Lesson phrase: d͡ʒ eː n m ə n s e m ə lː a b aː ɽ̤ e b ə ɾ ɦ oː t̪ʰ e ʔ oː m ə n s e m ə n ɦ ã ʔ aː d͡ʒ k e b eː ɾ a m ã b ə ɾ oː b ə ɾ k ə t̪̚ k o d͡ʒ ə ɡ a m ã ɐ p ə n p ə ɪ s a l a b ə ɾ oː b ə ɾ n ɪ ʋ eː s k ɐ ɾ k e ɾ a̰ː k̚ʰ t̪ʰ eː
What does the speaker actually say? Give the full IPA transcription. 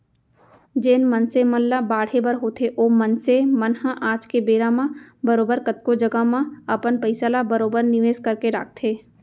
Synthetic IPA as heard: d͡ʒ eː n m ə n s e m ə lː a b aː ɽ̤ e b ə ɾ ɦ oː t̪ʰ e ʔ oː m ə n s e m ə n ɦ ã ʔ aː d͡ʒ k e b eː ɾ a m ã b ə ɾ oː b ə ɾ k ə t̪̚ k o d͡ʒ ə ɡ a m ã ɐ p ə n p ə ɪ s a l a b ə ɾ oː b ə ɾ n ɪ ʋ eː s k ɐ ɾ k e ɾ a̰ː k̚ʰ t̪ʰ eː